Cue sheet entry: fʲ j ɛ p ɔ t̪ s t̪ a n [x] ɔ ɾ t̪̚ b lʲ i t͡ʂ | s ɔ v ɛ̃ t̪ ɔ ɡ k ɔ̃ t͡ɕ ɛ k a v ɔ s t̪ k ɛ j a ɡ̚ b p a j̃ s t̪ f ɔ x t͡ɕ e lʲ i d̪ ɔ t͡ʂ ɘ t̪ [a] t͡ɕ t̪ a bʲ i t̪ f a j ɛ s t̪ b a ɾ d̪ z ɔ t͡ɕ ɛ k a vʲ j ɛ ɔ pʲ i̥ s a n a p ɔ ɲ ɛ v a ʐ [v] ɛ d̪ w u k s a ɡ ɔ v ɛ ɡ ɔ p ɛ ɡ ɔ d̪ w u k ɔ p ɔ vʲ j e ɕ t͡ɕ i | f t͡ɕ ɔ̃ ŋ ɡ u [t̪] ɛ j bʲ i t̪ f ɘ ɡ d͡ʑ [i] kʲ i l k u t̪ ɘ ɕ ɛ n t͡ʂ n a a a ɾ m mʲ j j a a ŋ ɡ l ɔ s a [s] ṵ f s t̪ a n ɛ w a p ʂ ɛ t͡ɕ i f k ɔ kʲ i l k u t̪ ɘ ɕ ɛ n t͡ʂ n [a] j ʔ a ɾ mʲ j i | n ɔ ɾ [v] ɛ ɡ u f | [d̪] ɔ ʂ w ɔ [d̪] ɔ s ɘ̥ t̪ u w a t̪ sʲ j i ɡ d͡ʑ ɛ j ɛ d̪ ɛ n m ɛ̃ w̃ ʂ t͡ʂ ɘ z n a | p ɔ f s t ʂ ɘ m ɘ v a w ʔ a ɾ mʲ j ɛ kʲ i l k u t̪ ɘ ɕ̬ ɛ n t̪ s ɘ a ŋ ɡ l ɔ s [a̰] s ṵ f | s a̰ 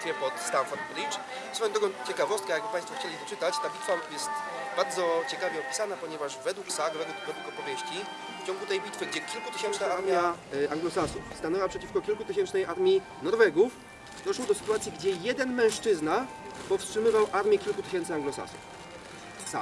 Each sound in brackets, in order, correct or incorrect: incorrect: f, correct, correct, correct, incorrect: ɛ, correct, incorrect: ɛ, correct, correct, correct, correct

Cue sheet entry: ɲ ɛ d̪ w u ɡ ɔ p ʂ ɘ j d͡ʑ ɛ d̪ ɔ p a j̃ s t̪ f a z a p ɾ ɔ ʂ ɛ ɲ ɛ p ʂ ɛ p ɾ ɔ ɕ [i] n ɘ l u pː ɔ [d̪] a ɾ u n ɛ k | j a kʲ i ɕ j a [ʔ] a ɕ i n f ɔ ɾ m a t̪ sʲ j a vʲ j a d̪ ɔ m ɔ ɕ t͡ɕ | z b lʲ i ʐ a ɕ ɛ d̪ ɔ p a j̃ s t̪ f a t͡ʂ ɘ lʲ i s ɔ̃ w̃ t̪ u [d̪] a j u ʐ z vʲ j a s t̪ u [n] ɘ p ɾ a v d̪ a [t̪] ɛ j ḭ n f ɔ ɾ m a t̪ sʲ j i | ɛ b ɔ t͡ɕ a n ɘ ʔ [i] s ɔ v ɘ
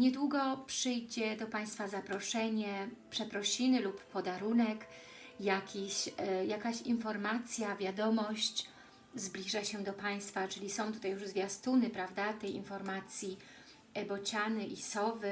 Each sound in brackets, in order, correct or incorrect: correct, correct, incorrect: k, incorrect: t̪, correct, correct, correct

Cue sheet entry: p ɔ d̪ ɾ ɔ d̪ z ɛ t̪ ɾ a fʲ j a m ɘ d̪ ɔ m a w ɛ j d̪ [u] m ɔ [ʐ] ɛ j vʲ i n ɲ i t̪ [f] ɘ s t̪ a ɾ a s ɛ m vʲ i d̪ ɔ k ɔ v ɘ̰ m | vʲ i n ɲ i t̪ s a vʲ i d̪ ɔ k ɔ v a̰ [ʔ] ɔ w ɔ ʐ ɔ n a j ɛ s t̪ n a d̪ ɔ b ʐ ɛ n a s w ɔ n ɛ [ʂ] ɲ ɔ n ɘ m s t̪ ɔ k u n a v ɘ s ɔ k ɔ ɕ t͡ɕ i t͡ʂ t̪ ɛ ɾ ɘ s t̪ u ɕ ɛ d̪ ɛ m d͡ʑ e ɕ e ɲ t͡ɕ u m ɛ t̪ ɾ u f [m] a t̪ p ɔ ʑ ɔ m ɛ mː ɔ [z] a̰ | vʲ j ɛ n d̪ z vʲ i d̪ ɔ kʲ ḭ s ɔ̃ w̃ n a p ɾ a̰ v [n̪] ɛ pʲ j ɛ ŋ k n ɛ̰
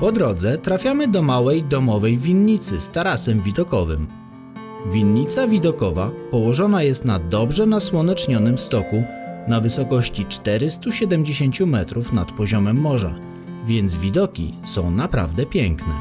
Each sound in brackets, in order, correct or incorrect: incorrect: ɔ, incorrect: v, incorrect: s, incorrect: p, incorrect: t͡ʂ, incorrect: n, incorrect: ʐ, incorrect: d̪

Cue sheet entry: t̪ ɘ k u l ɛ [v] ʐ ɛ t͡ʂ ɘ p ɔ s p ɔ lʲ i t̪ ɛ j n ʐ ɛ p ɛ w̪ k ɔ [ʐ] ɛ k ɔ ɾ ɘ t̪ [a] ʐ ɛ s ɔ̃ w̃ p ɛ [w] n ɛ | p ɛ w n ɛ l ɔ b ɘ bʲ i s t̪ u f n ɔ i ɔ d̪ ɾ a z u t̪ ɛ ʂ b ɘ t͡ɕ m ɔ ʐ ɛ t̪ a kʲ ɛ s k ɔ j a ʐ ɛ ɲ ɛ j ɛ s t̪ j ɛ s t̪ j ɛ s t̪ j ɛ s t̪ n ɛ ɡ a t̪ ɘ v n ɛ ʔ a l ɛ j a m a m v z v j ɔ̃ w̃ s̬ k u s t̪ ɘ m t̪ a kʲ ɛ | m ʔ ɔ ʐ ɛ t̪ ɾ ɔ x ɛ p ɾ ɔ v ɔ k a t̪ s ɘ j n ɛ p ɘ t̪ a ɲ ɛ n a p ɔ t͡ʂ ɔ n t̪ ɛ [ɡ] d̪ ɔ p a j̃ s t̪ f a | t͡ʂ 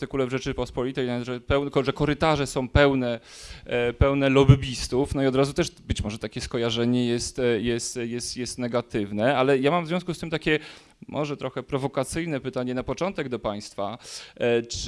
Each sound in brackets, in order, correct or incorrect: correct, correct, correct, correct, correct

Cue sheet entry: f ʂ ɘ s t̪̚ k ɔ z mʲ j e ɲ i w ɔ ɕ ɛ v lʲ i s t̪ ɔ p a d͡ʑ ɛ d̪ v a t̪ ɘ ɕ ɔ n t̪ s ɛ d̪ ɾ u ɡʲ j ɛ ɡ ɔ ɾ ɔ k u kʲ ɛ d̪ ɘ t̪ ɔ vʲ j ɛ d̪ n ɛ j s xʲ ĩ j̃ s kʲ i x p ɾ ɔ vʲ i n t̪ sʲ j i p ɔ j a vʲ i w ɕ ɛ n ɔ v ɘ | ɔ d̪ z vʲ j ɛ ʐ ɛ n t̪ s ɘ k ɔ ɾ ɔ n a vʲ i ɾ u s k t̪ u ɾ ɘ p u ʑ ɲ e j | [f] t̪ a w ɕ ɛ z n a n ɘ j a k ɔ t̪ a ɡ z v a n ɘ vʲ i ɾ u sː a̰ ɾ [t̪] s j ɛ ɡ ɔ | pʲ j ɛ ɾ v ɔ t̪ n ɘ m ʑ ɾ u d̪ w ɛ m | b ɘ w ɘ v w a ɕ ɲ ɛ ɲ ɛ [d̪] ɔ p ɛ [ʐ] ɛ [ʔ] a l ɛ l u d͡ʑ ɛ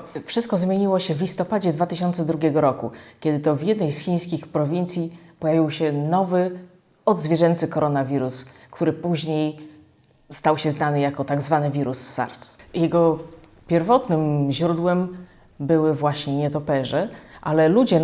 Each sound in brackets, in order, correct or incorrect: incorrect: s, correct, incorrect: t̪, correct, correct

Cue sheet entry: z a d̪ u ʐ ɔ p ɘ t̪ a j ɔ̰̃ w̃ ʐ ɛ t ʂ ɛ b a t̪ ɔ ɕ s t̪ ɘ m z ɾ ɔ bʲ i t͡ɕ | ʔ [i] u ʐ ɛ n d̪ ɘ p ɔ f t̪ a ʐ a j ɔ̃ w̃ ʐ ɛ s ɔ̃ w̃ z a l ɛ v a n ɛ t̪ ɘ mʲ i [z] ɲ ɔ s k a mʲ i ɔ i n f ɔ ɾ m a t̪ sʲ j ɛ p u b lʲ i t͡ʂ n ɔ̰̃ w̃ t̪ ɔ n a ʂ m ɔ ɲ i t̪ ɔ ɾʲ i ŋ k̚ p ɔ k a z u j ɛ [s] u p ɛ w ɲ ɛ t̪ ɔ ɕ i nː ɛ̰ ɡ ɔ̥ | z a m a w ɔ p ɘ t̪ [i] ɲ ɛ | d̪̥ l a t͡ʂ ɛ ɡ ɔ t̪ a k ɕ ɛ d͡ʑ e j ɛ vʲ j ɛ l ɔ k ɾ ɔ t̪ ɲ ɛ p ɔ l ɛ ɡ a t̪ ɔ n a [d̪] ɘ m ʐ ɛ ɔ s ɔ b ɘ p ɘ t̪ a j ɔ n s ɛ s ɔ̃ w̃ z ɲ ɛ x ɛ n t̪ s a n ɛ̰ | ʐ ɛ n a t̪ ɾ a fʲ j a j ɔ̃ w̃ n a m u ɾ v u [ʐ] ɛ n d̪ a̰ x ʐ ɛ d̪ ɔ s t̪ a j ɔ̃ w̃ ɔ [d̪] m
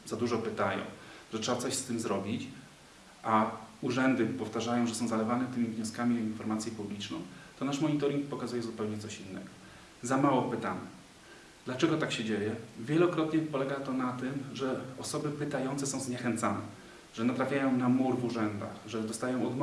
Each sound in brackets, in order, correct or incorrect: incorrect: a, incorrect: v, incorrect: z, incorrect: a, incorrect: t̪, correct, correct

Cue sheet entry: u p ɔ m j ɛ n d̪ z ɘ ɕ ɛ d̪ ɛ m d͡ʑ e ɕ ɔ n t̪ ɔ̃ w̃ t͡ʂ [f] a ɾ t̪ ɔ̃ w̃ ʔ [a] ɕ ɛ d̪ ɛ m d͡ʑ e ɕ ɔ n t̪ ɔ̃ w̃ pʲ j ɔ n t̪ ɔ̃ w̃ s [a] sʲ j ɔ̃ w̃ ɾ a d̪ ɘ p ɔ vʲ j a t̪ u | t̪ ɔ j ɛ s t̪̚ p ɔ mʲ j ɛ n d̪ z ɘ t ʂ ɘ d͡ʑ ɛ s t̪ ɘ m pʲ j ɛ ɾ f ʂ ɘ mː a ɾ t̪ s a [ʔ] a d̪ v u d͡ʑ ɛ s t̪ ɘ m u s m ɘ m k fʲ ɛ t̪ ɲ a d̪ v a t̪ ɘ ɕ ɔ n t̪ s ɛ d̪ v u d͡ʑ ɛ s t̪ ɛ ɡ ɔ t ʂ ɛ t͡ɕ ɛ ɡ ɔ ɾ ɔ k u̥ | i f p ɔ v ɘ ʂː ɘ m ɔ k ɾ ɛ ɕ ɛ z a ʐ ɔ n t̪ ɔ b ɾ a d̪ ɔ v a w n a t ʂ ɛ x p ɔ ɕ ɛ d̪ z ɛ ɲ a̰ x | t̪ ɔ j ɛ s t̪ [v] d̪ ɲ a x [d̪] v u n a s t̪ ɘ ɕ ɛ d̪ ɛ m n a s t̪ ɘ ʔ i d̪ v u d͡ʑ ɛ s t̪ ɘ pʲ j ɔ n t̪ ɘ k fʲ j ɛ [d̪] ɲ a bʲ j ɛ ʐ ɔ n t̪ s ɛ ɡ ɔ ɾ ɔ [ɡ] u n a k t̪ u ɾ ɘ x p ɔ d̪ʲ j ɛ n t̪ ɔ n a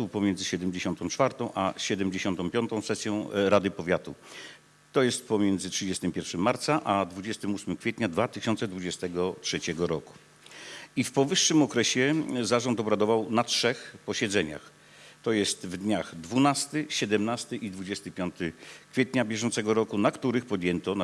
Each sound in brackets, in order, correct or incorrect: correct, correct, incorrect: ɛ, correct, correct, correct, incorrect: t̪, incorrect: k

